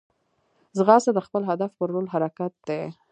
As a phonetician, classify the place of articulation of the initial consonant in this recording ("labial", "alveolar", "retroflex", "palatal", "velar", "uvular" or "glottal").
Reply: alveolar